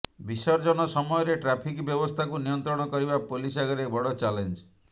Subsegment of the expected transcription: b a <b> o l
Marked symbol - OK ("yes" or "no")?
no